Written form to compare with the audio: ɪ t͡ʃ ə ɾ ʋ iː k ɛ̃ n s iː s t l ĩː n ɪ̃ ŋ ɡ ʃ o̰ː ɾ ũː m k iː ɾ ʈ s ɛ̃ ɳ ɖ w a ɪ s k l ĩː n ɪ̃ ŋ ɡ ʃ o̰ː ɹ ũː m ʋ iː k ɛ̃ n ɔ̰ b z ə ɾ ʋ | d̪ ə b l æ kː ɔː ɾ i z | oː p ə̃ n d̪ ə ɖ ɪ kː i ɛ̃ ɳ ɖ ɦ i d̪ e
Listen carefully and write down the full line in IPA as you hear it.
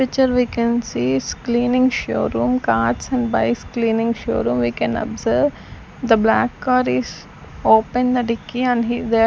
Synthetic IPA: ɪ t͡ʃ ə ɾ ʋ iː k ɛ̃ n s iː s k l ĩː n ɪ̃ ŋ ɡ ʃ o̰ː ɾ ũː m k aː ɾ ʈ s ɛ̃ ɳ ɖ b a ɪ s k l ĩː n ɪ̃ ŋ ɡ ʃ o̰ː ɾ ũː m ʋ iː k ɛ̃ n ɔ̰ b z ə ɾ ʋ | d̪ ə b l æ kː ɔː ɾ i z | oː p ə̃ n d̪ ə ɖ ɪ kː i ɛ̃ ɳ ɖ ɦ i d̪ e